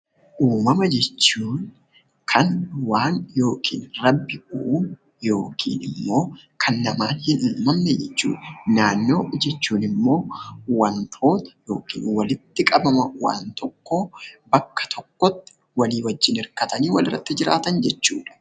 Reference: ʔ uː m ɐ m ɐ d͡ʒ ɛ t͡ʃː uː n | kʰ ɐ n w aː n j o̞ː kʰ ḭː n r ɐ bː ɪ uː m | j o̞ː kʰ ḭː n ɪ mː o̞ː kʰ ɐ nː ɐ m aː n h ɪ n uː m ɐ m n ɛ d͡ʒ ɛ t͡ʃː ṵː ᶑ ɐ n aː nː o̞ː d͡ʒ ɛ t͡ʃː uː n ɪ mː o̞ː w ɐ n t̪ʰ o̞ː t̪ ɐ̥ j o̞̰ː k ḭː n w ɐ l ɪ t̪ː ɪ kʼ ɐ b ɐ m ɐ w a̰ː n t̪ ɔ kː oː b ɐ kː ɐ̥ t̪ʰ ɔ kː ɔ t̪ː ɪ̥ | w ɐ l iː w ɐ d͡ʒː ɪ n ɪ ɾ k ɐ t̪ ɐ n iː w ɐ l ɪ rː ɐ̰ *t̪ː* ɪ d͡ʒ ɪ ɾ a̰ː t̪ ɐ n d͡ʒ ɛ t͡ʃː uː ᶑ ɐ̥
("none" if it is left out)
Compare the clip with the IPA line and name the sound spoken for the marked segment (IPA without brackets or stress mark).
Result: t̪ː